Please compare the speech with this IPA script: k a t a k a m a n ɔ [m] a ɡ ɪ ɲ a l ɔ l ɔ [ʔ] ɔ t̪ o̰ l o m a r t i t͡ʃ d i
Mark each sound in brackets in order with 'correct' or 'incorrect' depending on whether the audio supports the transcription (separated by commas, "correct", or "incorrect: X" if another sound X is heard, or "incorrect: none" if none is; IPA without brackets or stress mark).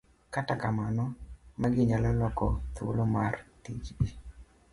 correct, incorrect: k